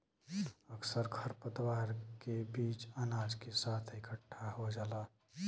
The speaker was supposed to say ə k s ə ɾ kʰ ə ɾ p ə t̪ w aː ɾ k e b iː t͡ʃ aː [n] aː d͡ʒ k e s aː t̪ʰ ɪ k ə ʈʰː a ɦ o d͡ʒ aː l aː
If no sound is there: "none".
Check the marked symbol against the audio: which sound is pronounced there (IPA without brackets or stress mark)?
n